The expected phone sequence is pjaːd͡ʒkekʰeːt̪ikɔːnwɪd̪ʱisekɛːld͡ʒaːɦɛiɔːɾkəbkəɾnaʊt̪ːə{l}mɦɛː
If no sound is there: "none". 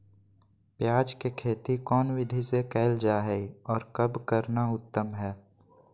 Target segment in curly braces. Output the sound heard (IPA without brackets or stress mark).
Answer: none